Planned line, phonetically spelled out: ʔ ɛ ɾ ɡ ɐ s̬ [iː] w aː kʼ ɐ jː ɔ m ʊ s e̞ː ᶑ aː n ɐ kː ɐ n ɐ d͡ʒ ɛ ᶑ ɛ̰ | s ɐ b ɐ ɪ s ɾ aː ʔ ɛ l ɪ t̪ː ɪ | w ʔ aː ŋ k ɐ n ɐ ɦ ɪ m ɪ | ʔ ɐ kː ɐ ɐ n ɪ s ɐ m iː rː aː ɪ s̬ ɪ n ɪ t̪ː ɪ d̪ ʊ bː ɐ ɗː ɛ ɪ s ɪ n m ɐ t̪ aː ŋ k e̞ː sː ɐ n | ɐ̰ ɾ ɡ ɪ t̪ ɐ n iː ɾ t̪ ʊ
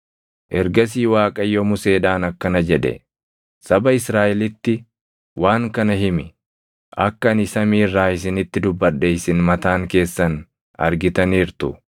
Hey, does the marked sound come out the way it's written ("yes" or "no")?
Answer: yes